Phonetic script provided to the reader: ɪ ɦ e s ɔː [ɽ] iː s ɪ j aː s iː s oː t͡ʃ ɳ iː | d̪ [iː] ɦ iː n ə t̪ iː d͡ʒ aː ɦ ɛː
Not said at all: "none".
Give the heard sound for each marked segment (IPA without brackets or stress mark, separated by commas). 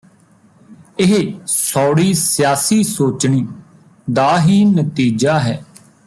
ɽ, aː